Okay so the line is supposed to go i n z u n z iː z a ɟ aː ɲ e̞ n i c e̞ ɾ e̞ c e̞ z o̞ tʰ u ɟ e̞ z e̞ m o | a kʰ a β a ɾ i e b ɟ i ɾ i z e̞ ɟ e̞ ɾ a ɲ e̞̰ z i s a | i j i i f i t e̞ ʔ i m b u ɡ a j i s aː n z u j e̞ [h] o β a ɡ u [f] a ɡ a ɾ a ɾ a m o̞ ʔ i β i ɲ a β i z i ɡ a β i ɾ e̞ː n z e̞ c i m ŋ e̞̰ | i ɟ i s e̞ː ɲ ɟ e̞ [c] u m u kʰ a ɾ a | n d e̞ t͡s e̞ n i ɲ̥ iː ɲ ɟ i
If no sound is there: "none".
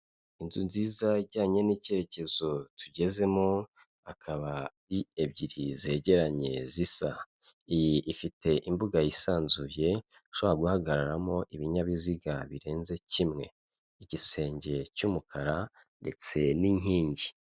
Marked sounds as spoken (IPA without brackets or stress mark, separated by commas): ʃ, h, c